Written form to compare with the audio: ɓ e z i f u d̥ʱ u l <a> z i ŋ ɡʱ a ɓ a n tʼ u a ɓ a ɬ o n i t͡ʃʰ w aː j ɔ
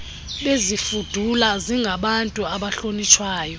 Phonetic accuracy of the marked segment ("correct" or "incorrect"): correct